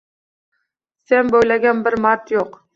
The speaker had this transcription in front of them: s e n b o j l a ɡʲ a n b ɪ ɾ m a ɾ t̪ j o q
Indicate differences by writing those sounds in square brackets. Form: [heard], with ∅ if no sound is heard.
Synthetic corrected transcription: s e n b o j l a ɡʲ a n b ɪ ɾ m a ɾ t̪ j o q